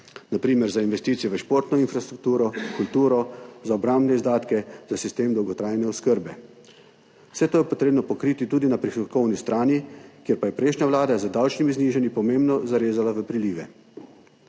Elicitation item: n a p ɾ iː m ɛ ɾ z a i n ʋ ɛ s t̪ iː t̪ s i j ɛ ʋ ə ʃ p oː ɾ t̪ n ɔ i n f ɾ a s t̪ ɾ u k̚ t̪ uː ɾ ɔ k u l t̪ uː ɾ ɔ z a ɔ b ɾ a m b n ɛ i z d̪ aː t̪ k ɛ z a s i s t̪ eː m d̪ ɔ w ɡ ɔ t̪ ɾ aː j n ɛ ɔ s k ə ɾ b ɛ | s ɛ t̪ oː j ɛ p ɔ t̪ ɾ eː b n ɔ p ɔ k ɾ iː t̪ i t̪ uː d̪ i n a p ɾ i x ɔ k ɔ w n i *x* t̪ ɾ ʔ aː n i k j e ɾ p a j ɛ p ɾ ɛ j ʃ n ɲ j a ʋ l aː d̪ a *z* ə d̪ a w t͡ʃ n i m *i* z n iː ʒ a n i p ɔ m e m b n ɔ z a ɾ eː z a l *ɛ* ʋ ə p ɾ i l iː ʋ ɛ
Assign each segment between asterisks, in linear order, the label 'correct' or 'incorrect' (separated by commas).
incorrect, correct, correct, incorrect